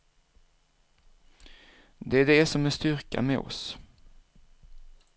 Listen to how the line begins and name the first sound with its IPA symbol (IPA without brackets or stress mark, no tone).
d̪